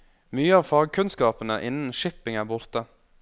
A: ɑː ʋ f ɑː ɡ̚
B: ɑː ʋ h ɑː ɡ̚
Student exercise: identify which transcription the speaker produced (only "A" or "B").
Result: A